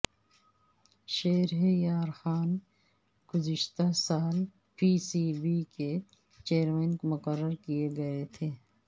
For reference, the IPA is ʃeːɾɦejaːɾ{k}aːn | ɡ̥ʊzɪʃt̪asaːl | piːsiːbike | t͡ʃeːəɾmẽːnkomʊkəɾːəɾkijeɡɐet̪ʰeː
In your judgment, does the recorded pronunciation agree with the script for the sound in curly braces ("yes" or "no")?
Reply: no